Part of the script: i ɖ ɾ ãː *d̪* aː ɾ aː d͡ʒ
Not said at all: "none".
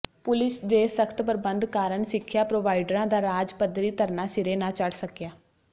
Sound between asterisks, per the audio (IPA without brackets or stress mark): d̪